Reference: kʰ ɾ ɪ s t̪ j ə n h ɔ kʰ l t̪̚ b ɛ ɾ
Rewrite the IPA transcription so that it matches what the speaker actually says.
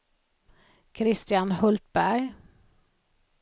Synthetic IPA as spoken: kʰ ɾ ɪ s t̪ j ɑ n h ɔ l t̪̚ b æ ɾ